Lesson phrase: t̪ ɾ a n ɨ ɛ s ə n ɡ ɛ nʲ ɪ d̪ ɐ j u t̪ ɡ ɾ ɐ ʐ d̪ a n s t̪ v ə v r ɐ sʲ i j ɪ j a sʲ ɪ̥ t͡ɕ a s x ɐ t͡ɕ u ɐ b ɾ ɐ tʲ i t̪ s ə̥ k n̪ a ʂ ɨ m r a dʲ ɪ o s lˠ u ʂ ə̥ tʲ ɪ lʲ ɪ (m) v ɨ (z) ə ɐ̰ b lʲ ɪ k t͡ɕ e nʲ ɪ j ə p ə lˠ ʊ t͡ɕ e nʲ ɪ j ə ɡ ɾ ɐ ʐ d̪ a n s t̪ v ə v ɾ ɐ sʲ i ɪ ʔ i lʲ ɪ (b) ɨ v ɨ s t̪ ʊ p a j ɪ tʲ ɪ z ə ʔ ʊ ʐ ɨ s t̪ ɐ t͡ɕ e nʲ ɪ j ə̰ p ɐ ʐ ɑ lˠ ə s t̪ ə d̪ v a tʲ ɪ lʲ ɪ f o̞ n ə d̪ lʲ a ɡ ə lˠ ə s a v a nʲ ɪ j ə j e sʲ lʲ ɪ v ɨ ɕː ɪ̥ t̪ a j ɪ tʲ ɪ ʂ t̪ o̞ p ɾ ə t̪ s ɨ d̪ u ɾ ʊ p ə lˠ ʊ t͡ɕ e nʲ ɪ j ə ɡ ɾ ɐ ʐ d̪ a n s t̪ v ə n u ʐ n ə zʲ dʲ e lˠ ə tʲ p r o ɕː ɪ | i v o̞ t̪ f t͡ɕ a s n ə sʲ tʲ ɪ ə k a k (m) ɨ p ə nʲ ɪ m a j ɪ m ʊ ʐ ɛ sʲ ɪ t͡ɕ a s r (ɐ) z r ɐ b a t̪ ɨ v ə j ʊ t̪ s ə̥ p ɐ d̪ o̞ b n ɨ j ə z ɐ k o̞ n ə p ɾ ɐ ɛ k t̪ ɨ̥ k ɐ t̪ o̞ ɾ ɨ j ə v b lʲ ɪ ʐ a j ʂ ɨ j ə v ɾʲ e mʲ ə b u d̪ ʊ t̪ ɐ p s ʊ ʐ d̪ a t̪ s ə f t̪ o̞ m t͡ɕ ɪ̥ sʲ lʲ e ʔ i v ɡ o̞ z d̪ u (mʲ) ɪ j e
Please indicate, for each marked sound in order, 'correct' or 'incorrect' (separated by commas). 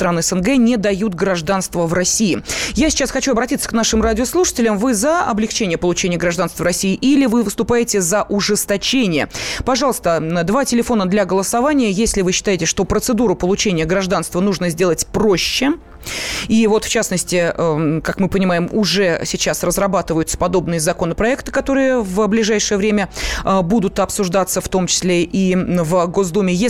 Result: correct, correct, incorrect, correct, incorrect, correct